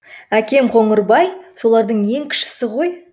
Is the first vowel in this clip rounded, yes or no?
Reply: no